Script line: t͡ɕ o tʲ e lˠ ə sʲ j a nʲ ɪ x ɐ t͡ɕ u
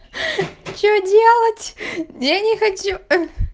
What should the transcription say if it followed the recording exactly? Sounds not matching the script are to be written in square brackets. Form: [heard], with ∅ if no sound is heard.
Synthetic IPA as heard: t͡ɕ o [dʲ] e lˠ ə [tʲ] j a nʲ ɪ x ɐ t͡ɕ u